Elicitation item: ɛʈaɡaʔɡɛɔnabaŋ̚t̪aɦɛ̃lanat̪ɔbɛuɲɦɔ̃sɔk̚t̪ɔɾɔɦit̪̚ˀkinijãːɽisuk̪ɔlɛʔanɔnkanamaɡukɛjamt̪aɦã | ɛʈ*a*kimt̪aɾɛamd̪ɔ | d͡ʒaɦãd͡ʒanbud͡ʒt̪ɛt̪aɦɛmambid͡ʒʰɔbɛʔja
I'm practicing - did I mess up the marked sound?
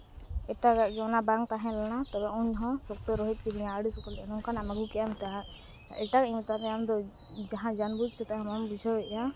no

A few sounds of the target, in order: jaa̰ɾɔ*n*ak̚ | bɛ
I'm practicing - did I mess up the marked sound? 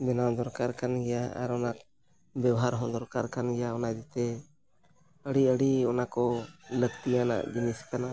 no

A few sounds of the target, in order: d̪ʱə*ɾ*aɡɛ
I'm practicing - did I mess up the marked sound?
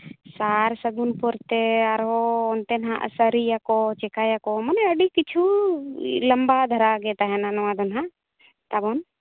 no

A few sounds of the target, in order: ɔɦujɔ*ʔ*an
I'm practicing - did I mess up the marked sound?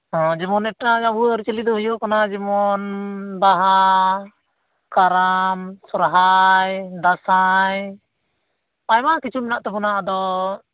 yes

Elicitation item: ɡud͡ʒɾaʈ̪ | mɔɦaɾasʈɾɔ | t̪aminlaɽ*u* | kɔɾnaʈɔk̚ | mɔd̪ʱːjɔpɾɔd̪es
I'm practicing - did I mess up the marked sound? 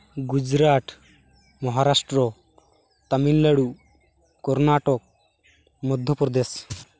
no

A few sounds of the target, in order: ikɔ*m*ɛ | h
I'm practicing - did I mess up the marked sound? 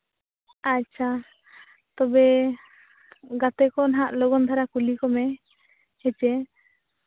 no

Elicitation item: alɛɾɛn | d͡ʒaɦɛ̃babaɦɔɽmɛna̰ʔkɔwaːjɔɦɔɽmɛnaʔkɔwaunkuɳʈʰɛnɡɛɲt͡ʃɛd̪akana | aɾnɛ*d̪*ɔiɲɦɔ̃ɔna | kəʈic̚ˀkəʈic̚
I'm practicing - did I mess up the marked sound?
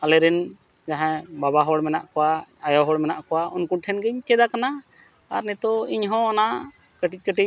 yes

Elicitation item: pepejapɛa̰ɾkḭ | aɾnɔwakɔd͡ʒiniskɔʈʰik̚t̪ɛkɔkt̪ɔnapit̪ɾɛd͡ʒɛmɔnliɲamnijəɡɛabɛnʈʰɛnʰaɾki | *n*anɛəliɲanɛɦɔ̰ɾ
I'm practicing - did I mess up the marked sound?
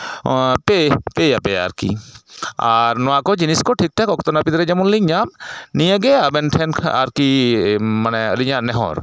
yes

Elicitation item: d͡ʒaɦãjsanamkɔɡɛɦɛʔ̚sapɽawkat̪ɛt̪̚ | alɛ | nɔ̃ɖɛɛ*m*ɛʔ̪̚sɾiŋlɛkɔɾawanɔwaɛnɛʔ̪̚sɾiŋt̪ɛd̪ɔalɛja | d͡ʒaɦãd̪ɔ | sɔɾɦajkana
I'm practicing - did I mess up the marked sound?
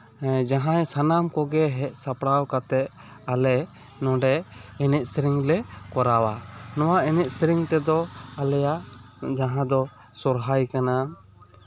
yes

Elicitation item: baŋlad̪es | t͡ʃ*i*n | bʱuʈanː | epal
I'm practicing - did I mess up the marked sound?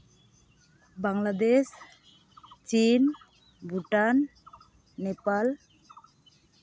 no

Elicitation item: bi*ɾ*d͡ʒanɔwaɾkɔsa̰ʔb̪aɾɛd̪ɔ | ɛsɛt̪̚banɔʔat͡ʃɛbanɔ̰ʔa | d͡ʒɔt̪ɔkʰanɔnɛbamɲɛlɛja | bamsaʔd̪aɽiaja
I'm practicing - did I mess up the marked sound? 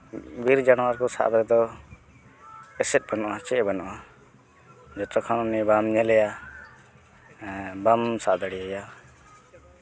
no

